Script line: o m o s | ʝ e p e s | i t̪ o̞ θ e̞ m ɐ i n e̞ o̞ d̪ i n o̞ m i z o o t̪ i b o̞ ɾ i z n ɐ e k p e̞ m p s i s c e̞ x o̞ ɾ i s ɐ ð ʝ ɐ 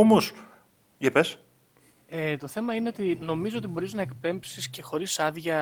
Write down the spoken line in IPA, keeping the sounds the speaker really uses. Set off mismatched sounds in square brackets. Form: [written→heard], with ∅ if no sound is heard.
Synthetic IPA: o m o s | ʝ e p e s | [i→e] t̪ o̞ θ e̞ m ɐ i n e̞ o̞ [d̪→t̪] i n o̞ m i z o o t̪ i b o̞ ɾ i z n ɐ e k p e̞ m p s i s c e̞ x o̞ ɾ i s ɐ ð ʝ ɐ